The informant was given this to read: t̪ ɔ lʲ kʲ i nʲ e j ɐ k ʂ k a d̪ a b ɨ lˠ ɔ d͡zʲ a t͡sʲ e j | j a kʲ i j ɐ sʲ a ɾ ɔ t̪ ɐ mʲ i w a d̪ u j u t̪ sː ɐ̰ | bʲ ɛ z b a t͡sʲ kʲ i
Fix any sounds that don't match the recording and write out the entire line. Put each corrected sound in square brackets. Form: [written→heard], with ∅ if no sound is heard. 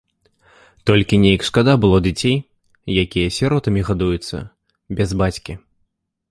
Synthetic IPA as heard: t̪ ɔ lʲ kʲ i nʲ e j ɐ k ʂ k a d̪ a b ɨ lˠ ɔ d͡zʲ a t͡sʲ e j | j a kʲ i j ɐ sʲ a ɾ ɔ t̪ ɐ mʲ i [w→ɣ] a d̪ u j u t̪ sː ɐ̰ | bʲ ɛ z b a t͡sʲ kʲ i